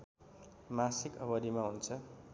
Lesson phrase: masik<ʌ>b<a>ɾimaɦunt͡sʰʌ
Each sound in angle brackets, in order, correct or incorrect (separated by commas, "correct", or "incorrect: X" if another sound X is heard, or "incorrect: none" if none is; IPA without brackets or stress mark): correct, incorrect: ʌ